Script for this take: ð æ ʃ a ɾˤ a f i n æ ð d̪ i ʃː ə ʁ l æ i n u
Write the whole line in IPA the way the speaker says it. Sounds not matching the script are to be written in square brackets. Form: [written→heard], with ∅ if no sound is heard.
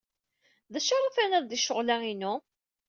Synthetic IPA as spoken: ð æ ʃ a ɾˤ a f [i→æ] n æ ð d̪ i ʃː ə ʁ l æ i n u